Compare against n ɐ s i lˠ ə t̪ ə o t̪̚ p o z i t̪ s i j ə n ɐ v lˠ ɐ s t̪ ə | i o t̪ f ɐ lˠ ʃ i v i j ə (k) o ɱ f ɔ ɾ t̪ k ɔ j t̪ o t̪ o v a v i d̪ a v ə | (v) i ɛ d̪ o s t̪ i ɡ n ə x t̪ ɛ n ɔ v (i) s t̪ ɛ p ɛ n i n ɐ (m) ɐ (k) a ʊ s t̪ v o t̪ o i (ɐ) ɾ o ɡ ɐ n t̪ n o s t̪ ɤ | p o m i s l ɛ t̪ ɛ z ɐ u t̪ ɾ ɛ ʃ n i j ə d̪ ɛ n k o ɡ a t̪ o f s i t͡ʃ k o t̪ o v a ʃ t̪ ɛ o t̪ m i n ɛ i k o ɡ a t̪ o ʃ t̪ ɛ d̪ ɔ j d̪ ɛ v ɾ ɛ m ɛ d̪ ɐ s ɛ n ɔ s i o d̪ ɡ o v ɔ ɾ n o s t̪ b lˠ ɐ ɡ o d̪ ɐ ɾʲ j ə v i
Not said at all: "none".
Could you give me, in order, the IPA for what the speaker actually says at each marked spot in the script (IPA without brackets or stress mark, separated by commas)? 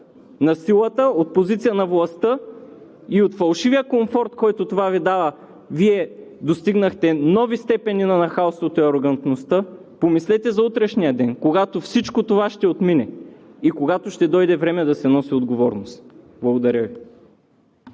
k, v, i, n, x, ɐ